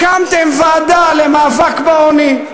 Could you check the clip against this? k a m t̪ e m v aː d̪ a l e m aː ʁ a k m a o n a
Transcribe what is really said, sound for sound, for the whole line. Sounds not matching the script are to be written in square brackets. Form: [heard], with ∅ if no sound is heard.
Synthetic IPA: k a m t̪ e m v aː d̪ a l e m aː [v] a k [b] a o n [i]